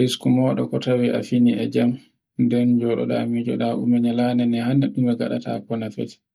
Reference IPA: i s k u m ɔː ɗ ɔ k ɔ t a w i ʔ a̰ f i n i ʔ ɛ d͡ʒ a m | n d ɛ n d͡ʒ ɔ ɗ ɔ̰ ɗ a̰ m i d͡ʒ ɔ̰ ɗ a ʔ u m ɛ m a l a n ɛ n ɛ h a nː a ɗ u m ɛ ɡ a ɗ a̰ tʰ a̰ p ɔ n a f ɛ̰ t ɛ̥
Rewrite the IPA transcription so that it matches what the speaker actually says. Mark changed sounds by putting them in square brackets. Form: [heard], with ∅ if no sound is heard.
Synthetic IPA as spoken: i s k u m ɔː ɗ ɔ k ɔ t a w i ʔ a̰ f i n i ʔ ɛ d͡ʒ a m | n d ɛ n d͡ʒ ɔ ɗ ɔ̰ ɗ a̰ m i d͡ʒ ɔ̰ ɗ a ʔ u m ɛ [ɲ] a l a n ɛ n ɛ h a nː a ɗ u m ɛ ɡ a ɗ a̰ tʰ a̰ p ɔ n a f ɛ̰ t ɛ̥

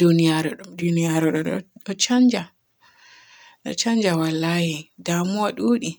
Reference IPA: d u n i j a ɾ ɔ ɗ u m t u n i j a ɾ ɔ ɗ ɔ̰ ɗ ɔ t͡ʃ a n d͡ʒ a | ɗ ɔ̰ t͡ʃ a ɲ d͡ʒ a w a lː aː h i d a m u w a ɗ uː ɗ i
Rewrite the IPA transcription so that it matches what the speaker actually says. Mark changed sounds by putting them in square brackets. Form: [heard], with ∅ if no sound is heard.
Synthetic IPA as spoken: d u n i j a ɾ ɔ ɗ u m [d] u n i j a ɾ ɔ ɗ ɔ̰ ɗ ɔ t͡ʃ a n d͡ʒ a | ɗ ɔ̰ t͡ʃ a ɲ d͡ʒ a w a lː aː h i d a m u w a ɗ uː ɗ i

